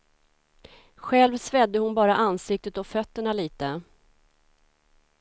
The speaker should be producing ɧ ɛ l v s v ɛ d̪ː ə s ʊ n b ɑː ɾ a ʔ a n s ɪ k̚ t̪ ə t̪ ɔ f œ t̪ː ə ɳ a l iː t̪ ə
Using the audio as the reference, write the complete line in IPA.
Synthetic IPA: ɧ ɛ l v s v ɛ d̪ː ə h ʊ n b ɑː ɾ a ʔ a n s ɪ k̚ t̪ ə t̪ ɔ f œ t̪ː ə ɳ a l iː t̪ ə

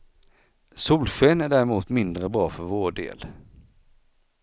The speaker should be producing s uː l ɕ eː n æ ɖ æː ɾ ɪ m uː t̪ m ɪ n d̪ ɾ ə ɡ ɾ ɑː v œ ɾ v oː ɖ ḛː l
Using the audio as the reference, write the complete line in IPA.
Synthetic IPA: s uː l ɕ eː n æ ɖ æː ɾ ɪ m uː t̪ m ɪ n d̪ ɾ ə b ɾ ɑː f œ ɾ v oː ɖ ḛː l

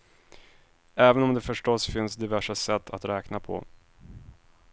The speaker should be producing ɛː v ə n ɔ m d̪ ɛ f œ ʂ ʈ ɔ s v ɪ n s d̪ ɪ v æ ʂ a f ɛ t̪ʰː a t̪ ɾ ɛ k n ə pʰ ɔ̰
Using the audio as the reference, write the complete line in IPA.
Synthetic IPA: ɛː v ə n ɔ m d̪ ɛ f œ ʂ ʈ ɔ s f ɪ n s d̪ ɪ v æ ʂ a s ɛ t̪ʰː a t̪ ɾ ɛː k n a pʰ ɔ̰

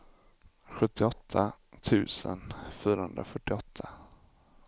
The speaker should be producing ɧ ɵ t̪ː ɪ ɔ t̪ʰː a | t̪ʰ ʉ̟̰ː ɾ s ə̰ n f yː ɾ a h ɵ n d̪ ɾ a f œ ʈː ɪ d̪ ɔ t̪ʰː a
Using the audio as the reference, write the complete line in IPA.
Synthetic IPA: ɧ ɵ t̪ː ɪ ɔ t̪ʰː a | t̪ʰ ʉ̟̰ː s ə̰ n f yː ɾ a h ɵ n d̪ ɾ a f œ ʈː ɪ ɔ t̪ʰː a

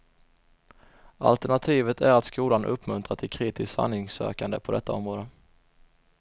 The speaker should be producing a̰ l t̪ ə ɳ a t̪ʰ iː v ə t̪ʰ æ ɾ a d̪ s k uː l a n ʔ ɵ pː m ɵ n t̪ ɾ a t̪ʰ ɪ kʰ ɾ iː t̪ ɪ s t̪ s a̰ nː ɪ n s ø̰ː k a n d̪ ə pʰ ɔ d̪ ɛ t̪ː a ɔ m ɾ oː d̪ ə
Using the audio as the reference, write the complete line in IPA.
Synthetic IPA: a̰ l t̪ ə ɳ a t̪ʰ iː v ə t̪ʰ æ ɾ a t̪ s k uː l a n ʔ ɵ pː m ɵ n t̪ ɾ a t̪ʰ ɪ kʰ ɾ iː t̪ ɪ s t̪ s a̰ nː ɪ ŋ s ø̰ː k a n d̪ ə pʰ ɔ d̪ ɛ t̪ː a ɔ m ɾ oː d̪ ə

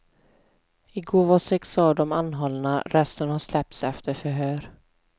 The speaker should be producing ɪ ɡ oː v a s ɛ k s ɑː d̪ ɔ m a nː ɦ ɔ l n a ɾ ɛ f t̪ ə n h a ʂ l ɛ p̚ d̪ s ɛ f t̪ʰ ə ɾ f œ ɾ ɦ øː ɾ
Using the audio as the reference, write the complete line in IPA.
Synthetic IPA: ɪ ɡ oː v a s ɛ k s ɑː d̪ ɔ m a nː ɦ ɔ l n a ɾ ɛ s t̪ ə n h a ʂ l ɛ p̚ t̪ s ɛ f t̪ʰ ə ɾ f œ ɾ ɦ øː ɾ

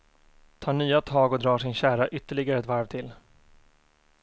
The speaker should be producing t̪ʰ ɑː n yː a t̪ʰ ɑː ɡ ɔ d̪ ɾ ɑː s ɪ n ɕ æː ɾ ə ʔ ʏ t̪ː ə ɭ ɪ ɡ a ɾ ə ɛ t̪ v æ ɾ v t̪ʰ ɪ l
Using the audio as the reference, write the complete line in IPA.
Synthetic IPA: t̪ʰ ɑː ɳ yː a t̪ʰ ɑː ɡ ɔ d̪ ɾ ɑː ʂ ɪ n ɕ æː ɾ a ʔ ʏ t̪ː ə ɭ ɪ ɡ a ɾ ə ɛ t̪ v a ɾ v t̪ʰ ɪ l

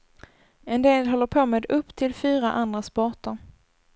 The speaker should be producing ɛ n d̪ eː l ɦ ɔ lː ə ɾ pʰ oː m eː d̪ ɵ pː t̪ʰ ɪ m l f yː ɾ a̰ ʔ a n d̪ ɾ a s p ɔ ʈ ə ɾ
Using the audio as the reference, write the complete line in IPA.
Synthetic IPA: ɛ n d̪ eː l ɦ ɔ lː ə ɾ pʰ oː m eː d̪ ɵ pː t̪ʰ ɪ l f yː ɾ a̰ ʔ a n d̪ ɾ a s p ɔ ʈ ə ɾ

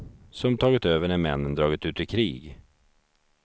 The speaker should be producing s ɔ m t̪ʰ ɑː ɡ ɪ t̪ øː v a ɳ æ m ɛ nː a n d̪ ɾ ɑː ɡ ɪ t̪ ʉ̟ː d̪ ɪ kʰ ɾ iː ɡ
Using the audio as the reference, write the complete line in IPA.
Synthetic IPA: s ɔ m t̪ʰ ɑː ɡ ɪ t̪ øː v ə ɳ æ m ɛ nː ə n d̪ ɾ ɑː ɡ ɪ t̪ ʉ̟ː t̪ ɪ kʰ ɾ iː ɡ

